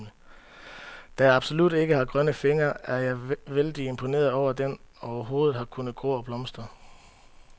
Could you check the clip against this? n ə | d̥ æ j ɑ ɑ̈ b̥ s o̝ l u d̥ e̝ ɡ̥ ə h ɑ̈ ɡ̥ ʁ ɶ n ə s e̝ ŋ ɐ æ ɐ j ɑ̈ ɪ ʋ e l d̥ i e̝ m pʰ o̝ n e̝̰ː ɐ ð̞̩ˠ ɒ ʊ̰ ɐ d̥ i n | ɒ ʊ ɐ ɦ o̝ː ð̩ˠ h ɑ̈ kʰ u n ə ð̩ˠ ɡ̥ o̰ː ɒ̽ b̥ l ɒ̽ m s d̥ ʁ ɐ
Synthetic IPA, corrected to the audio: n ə | d̥ æ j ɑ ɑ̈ b̥ s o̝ l u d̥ e̝ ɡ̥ ə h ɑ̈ ɡ̥ ʁ ɶ n ə f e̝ ŋ ɐ æ ɐ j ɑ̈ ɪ ʋ e l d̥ i e̝ m pʰ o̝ n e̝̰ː ɐ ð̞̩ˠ ɒ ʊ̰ ɐ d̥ e n | ɒ ʊ ɐ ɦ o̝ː ð̩ˠ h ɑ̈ kʰ u n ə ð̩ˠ ɡ̥ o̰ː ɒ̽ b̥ l ɒ̽ m s d̥ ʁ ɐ